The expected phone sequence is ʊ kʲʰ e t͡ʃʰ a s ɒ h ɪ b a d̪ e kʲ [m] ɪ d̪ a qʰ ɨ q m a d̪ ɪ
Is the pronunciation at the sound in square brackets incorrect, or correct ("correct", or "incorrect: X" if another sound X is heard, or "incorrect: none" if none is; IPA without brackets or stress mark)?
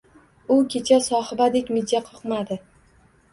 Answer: correct